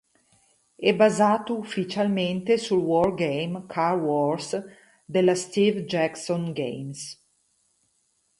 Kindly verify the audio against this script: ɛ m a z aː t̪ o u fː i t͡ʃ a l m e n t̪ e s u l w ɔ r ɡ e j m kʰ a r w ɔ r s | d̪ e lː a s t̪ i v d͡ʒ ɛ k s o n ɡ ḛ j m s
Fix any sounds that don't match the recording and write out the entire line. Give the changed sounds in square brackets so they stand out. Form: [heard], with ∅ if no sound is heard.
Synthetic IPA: ɛ [b] a z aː t̪ o u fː i t͡ʃ a l m e n t̪ e s u l w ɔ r ɡ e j m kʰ a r w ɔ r s | d̪ e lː a s t̪ i v d͡ʒ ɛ k s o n ɡ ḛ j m s